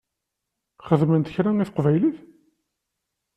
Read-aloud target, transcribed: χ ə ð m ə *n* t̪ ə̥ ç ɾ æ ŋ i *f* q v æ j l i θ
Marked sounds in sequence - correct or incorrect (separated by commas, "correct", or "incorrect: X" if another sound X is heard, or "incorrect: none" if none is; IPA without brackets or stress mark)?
correct, incorrect: θ